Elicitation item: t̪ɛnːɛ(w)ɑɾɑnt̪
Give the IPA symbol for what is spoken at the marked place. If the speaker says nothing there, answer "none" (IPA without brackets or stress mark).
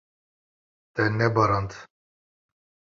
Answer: b